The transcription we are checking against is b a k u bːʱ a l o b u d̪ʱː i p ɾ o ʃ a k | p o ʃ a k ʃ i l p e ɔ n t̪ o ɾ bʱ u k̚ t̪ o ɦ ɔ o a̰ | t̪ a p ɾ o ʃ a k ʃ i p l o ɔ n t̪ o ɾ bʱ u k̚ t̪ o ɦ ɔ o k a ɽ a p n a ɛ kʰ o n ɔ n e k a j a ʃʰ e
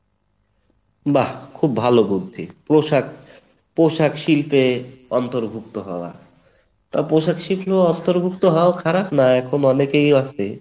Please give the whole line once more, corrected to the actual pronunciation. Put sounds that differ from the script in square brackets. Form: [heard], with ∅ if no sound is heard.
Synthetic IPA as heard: b a [kʰ] u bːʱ a l o b u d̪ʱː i p ɾ o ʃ a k | p o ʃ a k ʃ i l p e ɔ n t̪ o ɾ bʱ u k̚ t̪ o ɦ ɔ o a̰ | t̪ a p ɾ o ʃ a k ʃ i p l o ɔ n t̪ o ɾ bʱ u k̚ t̪ o ɦ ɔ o [kʰ] a [ɾ] a p n a ɛ kʰ o n ɔ n e k [e] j a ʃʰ e